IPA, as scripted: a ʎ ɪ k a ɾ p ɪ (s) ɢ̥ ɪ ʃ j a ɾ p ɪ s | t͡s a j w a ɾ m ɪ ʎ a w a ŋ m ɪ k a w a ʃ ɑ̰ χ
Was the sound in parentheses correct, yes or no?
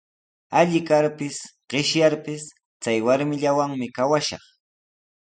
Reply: yes